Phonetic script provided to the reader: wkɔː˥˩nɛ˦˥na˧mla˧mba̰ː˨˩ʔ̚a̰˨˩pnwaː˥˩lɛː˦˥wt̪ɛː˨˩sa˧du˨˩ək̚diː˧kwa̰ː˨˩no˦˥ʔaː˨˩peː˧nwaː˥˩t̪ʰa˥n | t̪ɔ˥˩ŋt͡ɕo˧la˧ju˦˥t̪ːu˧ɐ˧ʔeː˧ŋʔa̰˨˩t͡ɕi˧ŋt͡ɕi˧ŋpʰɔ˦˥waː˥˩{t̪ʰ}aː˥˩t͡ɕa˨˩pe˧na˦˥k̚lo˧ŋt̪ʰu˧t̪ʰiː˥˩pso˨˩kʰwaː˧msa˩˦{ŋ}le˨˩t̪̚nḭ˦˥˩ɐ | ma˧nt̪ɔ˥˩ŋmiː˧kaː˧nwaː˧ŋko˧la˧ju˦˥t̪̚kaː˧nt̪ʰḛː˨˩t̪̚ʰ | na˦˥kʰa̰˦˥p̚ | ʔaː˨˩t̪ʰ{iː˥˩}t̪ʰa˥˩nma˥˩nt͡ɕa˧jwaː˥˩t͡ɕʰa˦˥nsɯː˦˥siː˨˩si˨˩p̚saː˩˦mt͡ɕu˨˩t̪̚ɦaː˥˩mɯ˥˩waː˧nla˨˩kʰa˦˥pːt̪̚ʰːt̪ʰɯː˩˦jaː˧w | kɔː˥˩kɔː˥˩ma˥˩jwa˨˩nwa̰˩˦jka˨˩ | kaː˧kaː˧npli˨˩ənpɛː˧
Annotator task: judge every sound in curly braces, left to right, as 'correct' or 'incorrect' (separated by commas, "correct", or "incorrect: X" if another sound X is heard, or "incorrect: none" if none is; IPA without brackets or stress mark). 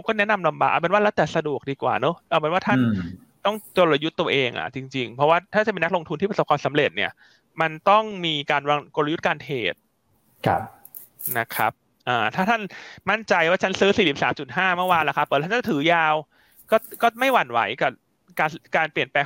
correct, incorrect: m, incorrect: aː˥˩